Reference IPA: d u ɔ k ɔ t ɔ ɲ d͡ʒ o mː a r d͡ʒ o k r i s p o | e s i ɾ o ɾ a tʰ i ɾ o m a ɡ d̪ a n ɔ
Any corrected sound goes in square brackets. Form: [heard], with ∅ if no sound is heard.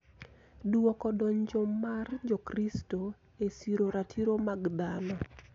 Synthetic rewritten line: d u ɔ k ɔ [d] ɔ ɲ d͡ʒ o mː a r d͡ʒ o k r i s [t] o | e s i ɾ o ɾ a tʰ i ɾ o m a ɡ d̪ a n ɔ